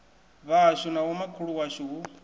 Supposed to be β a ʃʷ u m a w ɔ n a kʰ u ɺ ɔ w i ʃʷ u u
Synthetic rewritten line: β a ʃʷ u n a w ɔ m a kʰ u ɺ u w a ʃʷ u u